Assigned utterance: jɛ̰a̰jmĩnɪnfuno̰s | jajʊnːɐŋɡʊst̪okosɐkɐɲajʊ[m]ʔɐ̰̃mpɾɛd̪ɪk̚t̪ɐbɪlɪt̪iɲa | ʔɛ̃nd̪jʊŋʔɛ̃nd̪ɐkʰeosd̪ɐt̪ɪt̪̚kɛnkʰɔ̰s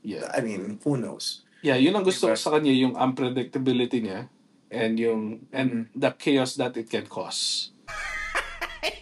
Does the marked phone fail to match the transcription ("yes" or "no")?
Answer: yes